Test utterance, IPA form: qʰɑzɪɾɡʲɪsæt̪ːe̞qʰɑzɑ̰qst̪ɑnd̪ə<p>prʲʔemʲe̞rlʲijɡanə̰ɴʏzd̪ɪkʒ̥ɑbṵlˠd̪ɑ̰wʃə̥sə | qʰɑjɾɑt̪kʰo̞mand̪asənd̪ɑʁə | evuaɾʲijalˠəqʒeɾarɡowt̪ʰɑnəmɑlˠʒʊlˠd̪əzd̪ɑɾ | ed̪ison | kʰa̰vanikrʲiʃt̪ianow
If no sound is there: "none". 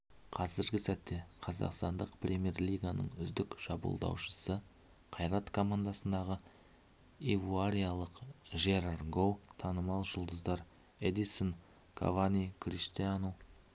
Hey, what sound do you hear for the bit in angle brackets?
q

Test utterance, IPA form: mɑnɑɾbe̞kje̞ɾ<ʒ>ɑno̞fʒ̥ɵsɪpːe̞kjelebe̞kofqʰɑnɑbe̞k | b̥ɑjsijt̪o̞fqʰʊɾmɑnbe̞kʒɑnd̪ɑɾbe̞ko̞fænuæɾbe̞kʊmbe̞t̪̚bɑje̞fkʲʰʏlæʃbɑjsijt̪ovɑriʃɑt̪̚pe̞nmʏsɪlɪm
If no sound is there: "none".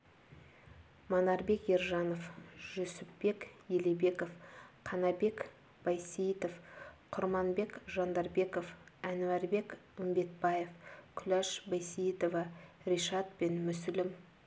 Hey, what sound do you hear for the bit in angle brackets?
ʒ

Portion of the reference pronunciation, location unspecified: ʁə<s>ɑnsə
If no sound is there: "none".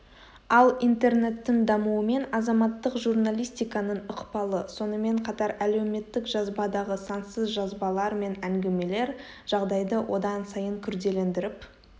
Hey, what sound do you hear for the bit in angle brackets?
s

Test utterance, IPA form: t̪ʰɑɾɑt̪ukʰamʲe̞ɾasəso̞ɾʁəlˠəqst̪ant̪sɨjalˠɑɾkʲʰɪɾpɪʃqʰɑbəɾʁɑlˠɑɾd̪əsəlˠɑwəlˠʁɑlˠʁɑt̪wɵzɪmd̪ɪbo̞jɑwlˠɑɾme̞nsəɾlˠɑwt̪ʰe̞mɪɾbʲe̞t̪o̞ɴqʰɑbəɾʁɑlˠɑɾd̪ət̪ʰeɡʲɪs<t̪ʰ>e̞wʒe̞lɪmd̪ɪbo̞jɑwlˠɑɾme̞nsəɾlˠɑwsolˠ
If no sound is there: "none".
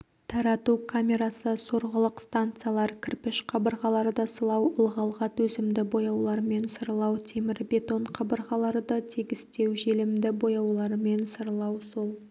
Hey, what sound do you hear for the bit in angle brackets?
t̪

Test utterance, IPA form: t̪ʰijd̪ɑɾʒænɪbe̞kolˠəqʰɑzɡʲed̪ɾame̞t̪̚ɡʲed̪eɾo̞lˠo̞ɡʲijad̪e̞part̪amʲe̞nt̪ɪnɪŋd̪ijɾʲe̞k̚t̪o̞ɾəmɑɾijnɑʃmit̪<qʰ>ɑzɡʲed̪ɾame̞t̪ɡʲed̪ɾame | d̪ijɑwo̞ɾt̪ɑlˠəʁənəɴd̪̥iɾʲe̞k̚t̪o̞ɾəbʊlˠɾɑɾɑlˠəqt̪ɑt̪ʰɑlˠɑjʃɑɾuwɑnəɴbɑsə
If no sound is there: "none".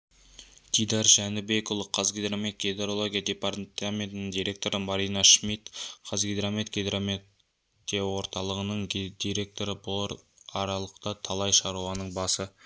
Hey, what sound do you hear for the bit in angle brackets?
qʰ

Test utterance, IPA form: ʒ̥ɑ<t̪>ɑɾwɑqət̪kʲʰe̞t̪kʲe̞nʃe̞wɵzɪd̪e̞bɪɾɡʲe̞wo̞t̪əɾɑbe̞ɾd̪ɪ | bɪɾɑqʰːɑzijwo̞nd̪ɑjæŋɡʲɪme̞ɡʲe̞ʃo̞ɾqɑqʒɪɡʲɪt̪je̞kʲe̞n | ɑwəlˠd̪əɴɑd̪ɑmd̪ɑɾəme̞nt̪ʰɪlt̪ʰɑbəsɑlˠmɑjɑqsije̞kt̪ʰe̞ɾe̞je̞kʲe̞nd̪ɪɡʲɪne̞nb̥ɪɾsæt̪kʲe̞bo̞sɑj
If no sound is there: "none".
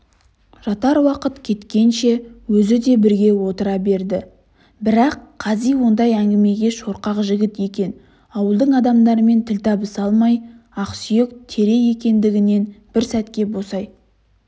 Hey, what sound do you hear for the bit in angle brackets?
t̪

